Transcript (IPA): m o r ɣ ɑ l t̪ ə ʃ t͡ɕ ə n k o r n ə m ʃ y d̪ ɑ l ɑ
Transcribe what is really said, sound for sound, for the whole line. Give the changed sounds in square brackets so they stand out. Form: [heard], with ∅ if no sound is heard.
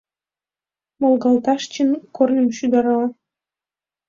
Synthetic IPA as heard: m o [l] ɣ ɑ l t̪ [ɑ] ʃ t͡ɕ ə n k o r n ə m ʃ y d̪ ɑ [ɾ] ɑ